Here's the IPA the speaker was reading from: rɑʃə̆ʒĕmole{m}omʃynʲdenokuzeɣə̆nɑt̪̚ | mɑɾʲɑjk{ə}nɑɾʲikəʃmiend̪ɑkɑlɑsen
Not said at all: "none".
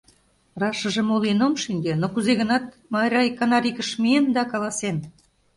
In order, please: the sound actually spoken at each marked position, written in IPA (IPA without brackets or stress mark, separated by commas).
n, ɑ